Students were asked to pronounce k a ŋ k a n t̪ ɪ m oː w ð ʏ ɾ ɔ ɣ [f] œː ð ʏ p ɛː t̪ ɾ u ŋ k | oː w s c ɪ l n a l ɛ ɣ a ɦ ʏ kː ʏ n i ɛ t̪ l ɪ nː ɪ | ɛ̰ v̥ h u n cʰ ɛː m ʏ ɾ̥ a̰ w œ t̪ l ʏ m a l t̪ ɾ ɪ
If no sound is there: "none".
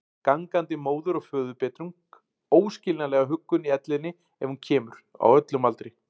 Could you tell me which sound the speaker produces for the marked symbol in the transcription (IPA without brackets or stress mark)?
f